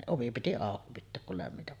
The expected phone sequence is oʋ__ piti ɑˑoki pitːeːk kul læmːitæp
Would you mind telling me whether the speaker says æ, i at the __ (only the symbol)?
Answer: i